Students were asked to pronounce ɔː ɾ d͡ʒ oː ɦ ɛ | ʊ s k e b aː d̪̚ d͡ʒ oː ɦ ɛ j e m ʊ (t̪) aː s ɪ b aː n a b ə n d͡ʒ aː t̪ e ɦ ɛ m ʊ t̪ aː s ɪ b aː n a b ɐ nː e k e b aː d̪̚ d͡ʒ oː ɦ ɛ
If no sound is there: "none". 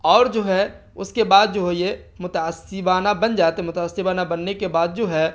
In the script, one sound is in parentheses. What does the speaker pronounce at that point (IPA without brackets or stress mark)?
t̪